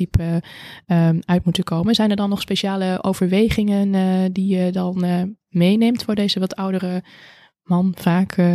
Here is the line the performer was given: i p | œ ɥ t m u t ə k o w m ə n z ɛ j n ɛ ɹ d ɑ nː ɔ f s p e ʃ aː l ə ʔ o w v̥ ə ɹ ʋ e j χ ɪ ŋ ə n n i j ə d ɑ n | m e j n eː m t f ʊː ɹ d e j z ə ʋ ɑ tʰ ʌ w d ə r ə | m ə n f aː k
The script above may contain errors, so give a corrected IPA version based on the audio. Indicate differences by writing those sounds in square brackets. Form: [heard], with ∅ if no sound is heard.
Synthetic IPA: i p | œ ɥ t m u t ə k o w m ə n z ɛ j n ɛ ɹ d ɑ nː ɔ [χ] s p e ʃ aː l ə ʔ o w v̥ ə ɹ ʋ e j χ ɪ ŋ ə n [d] i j ə d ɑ n | m e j n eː m t f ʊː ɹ d e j z ə ʋ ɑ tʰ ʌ w d ə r ə | m [ɑ] n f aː k